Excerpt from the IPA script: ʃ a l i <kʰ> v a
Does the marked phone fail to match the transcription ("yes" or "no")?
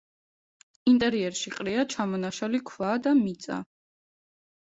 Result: no